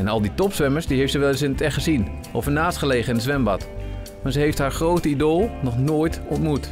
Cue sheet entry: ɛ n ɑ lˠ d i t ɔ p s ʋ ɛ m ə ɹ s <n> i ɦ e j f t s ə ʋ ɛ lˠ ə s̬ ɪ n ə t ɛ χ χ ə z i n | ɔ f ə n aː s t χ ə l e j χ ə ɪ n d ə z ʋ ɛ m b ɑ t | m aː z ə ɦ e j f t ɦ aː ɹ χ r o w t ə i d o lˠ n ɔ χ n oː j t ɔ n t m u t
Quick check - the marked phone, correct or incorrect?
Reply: incorrect